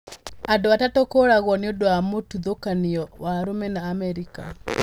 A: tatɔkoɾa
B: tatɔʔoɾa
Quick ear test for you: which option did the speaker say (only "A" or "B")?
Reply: A